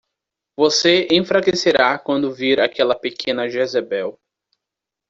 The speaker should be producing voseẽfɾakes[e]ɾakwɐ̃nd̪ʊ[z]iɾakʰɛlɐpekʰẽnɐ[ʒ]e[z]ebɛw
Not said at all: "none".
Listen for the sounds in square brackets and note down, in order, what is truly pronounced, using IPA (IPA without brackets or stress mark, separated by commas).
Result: e, v, ʒ, z